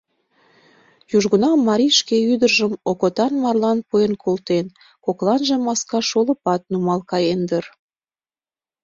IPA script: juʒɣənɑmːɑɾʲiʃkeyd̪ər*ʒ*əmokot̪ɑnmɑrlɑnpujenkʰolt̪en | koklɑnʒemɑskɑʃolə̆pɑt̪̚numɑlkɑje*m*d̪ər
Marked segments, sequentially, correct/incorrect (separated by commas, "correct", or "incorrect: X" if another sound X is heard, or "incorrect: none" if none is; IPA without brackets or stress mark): correct, incorrect: n